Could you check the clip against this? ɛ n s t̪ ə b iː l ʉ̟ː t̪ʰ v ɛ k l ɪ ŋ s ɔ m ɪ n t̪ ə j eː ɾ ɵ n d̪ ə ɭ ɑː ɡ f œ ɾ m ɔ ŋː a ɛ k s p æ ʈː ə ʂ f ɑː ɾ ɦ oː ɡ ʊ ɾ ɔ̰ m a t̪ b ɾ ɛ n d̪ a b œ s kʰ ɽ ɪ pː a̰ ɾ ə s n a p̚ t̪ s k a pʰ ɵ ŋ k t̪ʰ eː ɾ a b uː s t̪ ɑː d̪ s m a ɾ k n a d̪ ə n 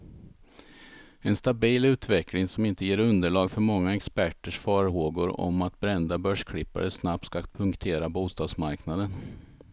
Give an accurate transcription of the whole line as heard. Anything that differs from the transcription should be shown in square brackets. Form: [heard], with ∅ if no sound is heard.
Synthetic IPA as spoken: ɛ n s t̪ [a] b iː l ʉ̟ː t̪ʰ v ɛ k l ɪ ŋ s ɔ m ɪ n t̪ ə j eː ɾ ɵ n d̪ ə ɭ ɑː ɡ f œ ɾ m ɔ ŋː a ɛ k s p æ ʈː ə ʂ f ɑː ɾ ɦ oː ɡ ʊ ɾ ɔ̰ m a t̪ b ɾ ɛ n d̪ a b œ [ʂ] kʰ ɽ ɪ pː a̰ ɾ ə s n a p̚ t̪ s k a pʰ ɵ ŋ k t̪ʰ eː ɾ a b uː s t̪ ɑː d̪ s m a ɾ k n a d̪ ə n